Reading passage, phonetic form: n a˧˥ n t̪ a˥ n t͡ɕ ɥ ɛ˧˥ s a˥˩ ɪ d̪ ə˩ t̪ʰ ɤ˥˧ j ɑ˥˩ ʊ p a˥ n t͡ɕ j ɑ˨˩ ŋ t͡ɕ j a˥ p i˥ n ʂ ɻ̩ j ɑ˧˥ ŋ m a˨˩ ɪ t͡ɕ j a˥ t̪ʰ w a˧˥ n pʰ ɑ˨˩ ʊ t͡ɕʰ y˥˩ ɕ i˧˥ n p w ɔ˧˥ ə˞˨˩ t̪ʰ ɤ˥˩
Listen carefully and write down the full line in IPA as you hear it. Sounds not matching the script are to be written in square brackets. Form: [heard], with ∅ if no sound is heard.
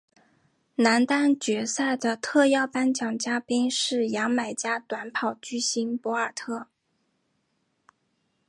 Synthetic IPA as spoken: n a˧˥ n t̪ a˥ n t͡ɕ ɥ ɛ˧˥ s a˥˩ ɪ d̪ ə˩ t̪ʰ ɤ˥˧ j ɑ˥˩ ʊ p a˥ n t͡ɕ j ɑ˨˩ ŋ t͡ɕ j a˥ p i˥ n ʂ ɻ̩ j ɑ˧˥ ŋ m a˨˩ ɪ t͡ɕ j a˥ [t̪] w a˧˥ n pʰ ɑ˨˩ ʊ [t͡ɕ] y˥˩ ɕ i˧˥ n p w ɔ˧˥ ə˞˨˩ t̪ʰ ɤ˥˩